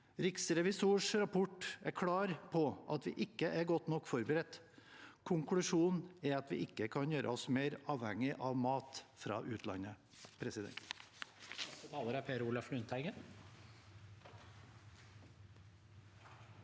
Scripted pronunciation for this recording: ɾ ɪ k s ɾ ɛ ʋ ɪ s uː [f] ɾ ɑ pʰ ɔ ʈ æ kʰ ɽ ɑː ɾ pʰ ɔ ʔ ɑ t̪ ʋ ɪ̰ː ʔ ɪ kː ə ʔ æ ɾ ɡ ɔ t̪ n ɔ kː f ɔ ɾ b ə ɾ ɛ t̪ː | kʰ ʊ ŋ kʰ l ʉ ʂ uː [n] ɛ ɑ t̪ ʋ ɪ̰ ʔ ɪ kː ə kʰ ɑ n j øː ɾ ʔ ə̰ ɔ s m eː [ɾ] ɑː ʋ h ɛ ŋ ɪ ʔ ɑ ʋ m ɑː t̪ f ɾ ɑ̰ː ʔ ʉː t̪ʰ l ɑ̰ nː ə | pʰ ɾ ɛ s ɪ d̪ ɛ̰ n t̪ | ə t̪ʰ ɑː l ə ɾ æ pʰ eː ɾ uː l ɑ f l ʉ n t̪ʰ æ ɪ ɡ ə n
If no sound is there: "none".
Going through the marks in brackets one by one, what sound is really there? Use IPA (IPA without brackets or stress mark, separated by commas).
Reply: ʂ, n, ɾ